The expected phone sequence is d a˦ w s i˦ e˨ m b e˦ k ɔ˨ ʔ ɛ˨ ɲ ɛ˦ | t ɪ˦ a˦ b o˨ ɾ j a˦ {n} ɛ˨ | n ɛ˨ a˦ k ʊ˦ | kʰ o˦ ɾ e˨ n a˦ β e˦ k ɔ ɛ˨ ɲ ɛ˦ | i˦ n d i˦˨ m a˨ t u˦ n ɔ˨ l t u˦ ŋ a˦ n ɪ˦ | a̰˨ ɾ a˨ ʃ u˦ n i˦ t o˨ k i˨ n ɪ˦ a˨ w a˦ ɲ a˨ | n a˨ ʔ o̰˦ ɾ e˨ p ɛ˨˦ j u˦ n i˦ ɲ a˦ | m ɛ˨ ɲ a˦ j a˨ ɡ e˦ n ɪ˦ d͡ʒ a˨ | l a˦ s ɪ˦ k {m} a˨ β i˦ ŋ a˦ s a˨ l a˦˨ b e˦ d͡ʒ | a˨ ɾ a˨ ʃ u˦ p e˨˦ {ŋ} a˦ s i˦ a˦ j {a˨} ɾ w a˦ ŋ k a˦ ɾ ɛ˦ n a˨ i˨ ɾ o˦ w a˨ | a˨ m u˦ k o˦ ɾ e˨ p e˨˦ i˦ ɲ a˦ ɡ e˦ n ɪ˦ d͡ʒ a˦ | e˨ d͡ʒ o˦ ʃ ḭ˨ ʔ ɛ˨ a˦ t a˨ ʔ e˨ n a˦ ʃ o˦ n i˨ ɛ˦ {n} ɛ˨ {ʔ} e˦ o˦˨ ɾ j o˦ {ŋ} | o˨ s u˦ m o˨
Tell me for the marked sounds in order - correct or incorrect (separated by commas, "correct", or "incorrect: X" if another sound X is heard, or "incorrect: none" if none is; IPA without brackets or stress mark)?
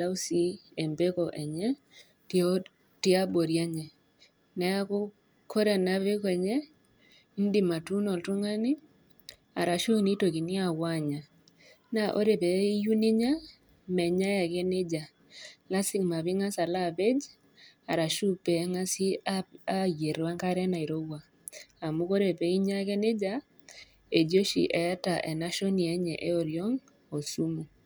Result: incorrect: ɲ, correct, correct, incorrect: e˨, incorrect: ɲ, correct, correct